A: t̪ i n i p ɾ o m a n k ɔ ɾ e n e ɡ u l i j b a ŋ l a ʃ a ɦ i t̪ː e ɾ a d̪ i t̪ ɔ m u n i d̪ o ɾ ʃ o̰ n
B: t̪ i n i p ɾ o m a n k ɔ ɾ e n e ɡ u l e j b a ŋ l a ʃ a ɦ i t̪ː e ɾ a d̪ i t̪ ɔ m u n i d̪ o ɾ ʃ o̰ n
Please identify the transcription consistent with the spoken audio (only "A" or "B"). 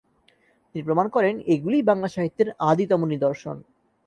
A